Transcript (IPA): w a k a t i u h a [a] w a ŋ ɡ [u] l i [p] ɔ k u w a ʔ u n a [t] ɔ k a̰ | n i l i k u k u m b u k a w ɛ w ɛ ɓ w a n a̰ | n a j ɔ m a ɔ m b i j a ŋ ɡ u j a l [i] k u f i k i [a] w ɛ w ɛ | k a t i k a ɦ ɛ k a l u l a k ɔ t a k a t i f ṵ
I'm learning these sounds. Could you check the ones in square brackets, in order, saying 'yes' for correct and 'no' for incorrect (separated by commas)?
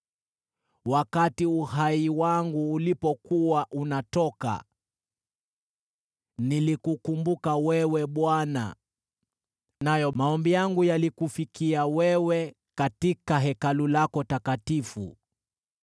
no, no, yes, yes, yes, yes